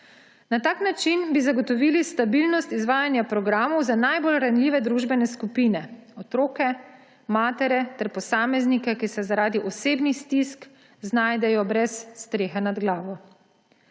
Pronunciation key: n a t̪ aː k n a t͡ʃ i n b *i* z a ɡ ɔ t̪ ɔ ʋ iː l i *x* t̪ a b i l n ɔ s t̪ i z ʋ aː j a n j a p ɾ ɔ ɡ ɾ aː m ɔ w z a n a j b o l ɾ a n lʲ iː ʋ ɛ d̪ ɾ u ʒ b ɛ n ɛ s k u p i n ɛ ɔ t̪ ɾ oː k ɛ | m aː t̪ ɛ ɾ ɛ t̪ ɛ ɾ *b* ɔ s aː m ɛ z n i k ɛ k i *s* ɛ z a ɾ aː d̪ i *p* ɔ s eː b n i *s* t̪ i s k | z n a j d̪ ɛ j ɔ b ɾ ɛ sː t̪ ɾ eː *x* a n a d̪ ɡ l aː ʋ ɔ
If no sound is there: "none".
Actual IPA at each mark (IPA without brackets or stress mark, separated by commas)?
i, s, p, s, ʔ, s, x